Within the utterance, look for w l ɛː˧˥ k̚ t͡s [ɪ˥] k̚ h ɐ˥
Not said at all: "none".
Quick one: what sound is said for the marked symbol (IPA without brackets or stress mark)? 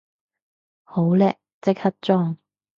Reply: ɪ˥